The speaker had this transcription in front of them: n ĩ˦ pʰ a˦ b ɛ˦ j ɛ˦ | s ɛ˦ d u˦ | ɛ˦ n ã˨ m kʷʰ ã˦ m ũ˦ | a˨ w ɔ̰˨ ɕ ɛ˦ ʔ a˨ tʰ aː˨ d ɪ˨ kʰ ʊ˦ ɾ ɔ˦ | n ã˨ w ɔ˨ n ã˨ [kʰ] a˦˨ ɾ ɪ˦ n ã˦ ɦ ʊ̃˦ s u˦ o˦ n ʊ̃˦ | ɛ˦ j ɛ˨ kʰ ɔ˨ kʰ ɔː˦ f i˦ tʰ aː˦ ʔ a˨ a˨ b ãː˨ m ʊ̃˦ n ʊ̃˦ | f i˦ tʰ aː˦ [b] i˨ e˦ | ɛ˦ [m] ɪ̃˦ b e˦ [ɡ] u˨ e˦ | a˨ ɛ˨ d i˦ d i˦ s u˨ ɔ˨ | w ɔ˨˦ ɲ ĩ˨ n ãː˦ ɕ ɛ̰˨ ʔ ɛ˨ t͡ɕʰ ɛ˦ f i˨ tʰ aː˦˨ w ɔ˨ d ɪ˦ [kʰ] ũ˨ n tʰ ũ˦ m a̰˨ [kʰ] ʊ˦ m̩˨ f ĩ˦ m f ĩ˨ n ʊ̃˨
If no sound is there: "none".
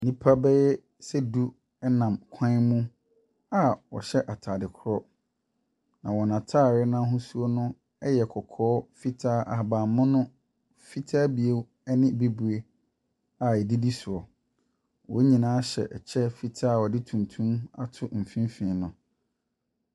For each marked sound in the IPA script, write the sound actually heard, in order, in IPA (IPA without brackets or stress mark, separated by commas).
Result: tʰ, b, n, b, tʰ, tʰ